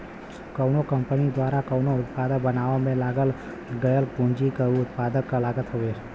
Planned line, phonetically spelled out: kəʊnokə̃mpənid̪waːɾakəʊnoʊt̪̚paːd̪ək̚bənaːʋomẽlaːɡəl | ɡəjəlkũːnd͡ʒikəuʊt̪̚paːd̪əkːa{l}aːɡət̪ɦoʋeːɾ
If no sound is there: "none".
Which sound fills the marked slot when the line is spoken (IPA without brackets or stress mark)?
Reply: l